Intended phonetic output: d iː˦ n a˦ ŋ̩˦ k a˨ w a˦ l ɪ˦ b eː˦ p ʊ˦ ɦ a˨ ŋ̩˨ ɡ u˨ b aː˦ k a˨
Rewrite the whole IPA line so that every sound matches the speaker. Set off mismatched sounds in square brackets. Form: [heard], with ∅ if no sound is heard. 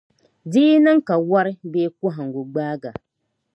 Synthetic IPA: d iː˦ n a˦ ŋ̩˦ k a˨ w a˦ [ɾ] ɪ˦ b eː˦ [k] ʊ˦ ɦ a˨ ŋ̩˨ ɡ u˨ [ɡ͡b] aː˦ [ɡ] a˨